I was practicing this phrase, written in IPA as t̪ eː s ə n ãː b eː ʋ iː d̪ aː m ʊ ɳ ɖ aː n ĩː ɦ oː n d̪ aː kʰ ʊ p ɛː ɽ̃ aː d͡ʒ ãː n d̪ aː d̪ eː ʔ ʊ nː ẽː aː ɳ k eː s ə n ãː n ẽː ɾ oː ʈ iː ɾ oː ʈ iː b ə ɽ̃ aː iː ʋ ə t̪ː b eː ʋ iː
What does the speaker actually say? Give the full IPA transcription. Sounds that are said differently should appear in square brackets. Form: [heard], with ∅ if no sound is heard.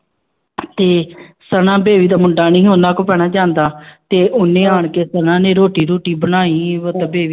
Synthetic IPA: t̪ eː s ə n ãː b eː ʋ iː d̪ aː m ʊ ɳ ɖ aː n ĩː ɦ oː n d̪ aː [k] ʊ p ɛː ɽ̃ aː d͡ʒ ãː n d̪ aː [t̪] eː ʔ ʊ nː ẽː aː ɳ k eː s ə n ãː n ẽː ɾ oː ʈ iː ɾ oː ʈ iː b ə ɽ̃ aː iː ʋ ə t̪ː b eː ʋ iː